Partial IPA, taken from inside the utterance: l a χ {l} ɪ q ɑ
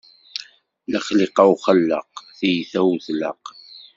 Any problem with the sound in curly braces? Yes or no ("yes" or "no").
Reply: no